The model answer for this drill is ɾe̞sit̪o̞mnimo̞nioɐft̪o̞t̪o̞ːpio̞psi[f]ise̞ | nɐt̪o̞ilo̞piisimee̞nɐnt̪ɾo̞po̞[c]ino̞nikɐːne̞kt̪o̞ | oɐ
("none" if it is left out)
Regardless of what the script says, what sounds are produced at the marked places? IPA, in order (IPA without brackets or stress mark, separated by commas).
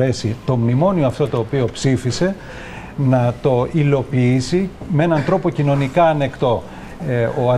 f, c